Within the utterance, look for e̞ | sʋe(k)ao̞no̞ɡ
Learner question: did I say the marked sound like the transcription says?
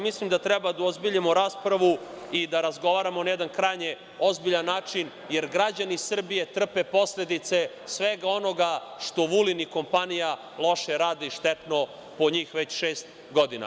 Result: no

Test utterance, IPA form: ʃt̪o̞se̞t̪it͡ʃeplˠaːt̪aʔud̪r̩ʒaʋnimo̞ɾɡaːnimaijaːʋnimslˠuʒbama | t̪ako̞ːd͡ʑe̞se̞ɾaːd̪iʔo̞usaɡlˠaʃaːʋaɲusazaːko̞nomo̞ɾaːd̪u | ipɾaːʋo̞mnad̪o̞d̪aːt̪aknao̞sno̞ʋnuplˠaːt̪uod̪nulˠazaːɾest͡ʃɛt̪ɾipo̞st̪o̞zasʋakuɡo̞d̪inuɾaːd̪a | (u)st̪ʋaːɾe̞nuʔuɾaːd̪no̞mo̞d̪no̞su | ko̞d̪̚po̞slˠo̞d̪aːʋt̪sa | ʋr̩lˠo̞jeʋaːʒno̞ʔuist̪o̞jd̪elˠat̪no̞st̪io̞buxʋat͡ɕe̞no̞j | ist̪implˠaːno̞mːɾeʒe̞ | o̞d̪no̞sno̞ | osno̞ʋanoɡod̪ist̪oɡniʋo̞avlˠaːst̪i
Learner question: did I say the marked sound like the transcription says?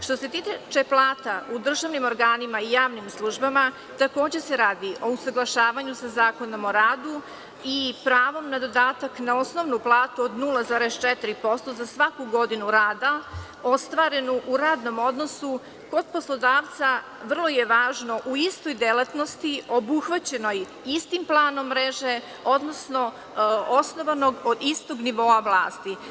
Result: no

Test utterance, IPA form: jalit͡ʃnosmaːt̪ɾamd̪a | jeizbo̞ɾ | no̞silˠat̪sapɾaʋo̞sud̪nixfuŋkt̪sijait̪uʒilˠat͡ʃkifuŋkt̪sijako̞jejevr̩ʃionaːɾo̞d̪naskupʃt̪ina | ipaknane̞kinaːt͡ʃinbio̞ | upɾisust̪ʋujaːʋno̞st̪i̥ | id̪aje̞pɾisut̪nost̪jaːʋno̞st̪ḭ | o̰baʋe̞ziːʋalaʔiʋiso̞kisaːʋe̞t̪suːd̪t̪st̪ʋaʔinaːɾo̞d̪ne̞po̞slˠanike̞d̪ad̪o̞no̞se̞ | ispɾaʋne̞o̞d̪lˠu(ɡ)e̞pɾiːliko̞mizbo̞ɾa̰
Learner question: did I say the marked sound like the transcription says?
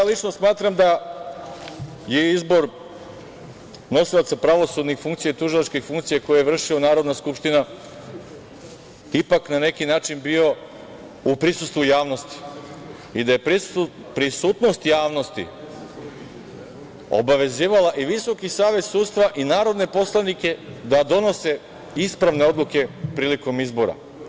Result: no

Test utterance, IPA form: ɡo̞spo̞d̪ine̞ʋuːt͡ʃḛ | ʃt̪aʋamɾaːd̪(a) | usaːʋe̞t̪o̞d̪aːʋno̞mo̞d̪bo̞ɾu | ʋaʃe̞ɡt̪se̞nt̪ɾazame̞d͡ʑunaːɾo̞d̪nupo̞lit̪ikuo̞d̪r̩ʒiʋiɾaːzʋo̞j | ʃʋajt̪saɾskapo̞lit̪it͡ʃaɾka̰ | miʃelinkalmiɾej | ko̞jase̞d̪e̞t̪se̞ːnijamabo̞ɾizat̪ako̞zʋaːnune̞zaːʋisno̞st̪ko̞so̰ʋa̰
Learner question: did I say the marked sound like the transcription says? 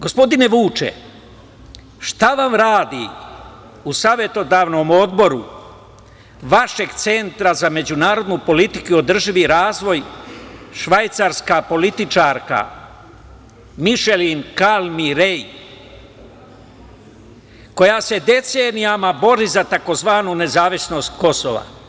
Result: no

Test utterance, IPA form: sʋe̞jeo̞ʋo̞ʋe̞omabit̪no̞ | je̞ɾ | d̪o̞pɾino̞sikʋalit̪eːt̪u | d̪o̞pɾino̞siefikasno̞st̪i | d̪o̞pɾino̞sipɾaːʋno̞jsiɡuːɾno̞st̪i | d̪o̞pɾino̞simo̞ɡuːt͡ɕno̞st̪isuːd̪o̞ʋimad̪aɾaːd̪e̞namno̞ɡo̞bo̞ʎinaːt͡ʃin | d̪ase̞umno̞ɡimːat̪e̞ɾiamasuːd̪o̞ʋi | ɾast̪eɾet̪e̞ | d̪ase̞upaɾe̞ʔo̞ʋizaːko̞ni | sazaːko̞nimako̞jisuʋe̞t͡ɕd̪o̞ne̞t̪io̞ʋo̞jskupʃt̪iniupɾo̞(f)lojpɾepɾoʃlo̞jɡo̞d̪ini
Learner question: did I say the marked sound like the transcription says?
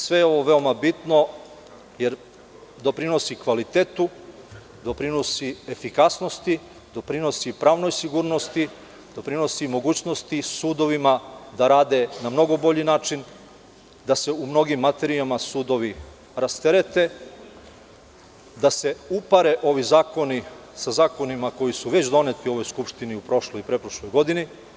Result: no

